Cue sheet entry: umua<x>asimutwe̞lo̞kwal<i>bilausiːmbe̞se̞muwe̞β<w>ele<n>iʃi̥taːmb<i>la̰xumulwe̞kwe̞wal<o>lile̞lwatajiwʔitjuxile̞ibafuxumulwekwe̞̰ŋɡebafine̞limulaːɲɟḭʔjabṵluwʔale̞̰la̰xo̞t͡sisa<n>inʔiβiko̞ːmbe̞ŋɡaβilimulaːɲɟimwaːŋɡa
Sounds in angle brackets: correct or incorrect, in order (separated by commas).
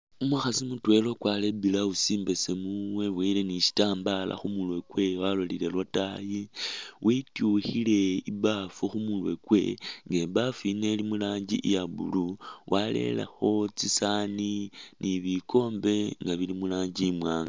correct, incorrect, correct, correct, incorrect, correct, correct